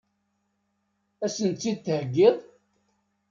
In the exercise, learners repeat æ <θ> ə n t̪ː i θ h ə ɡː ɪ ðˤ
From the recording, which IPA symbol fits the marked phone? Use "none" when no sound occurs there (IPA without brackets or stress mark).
s